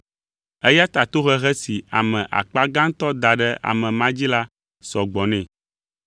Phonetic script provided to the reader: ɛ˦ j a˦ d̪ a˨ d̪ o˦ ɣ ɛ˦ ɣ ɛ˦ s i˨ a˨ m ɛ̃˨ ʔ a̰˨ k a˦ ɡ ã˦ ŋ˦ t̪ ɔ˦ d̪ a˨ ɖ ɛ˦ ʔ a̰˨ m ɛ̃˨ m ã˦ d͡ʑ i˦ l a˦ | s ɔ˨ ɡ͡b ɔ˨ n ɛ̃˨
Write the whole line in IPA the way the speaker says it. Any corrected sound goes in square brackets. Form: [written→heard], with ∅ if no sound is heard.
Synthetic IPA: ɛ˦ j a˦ [d̪→t̪] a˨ [d̪→t̪] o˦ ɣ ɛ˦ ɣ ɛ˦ s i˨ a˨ m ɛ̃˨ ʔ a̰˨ [k→k͡p] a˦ ɡ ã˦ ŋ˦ t̪ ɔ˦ d̪ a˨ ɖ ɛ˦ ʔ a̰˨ m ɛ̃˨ m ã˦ d͡ʑ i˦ l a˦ | s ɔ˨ ɡ͡b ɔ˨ n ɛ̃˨

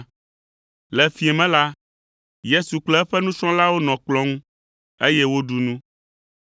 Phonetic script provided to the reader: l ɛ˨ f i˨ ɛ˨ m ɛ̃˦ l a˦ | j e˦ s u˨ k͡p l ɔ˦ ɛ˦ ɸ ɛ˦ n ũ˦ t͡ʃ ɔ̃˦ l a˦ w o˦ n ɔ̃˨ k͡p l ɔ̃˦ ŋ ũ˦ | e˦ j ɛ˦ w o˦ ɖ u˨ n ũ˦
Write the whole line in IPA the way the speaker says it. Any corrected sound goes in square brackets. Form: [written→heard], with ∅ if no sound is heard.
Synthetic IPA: l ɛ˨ f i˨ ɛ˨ m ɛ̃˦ l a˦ | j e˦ s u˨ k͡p l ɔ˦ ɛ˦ ɸ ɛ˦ n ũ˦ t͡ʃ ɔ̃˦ l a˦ w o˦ n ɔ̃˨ k͡p l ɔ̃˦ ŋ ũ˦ | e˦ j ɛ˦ w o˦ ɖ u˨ n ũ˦

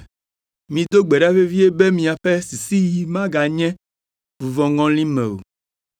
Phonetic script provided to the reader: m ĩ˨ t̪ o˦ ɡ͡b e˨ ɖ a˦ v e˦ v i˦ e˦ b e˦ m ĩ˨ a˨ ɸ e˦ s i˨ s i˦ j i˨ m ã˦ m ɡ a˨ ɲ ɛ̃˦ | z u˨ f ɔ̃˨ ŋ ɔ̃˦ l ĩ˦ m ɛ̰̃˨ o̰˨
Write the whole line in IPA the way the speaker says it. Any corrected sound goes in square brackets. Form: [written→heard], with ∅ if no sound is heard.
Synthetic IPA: m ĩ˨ [t̪→d̪] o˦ ɡ͡b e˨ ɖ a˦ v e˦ v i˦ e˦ b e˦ m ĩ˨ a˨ ɸ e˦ s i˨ s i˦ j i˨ m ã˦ [m→∅] ɡ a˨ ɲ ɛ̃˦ | [z→v] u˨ [f→v] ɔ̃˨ ŋ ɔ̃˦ l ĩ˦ m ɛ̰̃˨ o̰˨

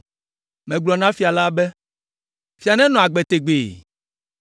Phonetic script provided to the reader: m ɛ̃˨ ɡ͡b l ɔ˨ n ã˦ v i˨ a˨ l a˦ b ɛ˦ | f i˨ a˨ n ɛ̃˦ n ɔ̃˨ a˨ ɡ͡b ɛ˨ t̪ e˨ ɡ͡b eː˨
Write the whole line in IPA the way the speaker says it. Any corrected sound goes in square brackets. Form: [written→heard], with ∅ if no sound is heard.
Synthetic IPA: m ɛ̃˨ ɡ͡b l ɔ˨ n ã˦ [v→f] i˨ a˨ l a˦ b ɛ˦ | f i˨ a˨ n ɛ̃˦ n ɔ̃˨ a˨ ɡ͡b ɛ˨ t̪ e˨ ɡ͡b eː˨

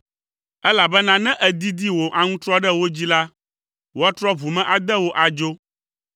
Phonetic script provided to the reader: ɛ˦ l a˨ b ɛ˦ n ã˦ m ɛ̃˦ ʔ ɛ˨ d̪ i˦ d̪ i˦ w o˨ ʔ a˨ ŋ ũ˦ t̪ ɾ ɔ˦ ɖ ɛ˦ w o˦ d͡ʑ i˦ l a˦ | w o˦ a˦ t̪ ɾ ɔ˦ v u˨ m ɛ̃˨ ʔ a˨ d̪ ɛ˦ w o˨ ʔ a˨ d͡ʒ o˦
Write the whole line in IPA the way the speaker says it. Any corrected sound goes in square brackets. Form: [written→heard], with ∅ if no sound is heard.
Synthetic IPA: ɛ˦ l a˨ b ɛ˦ n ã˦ [m→n] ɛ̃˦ ʔ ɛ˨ d̪ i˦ d̪ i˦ w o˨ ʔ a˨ ŋ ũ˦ t̪ ɾ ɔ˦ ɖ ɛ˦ w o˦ d͡ʑ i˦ l a˦ | w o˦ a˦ t̪ ɾ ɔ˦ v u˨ m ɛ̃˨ ʔ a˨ d̪ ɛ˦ w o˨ ʔ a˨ d͡ʒ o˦

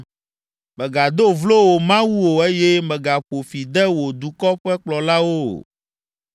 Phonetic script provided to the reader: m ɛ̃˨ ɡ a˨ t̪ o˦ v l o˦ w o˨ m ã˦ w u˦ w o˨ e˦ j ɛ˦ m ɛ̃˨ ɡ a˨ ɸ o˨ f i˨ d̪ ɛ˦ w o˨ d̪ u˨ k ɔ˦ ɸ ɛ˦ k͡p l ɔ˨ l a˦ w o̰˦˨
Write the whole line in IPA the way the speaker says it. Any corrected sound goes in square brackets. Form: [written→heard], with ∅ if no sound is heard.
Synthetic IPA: m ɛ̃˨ ɡ a˨ [t̪→d̪] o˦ v l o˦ w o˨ m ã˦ w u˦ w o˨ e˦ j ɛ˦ m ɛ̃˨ ɡ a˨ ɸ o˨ f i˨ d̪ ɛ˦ w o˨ d̪ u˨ k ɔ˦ ɸ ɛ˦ k͡p l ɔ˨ l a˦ w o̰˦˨

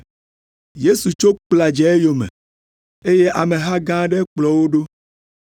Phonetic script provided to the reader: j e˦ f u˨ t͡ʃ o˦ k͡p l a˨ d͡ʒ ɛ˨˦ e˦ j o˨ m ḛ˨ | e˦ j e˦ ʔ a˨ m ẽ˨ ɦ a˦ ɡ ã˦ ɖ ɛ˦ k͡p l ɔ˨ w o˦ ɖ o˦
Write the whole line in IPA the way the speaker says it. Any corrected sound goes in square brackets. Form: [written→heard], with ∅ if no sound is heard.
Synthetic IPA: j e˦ [f→s] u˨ t͡ʃ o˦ k͡p l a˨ d͡ʒ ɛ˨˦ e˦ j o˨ m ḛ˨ | e˦ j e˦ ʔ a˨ m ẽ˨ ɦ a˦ ɡ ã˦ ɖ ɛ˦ k͡p l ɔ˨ w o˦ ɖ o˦

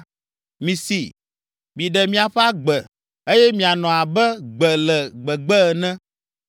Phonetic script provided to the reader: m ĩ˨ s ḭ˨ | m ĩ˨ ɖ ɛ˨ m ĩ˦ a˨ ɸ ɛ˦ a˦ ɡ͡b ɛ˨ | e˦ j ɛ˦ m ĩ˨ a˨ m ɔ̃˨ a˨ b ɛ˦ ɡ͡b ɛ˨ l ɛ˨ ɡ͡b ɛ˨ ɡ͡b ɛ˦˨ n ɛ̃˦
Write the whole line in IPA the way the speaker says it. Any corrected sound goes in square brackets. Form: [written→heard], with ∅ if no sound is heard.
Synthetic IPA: m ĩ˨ s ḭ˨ | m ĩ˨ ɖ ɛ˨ m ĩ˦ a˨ ɸ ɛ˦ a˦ ɡ͡b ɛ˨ | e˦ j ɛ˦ m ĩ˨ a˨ [m→n] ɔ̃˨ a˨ b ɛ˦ ɡ͡b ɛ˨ l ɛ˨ ɡ͡b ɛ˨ ɡ͡b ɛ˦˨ n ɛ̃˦

